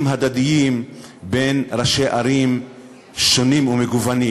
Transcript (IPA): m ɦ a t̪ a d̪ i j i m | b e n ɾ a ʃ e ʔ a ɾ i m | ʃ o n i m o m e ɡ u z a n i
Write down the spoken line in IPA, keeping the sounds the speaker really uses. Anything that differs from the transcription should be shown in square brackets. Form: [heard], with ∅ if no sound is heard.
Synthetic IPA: m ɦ a [d̪] a d̪ i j i m | b e n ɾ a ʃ e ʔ a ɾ i m | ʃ o n i m [u] m e ɡ u [v] a n i